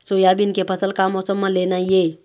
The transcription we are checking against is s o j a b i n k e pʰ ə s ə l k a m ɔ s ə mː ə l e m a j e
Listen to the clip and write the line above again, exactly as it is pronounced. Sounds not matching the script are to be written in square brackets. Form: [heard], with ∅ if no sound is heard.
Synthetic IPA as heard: s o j a b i n k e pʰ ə s ə l k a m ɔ s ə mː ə l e [n] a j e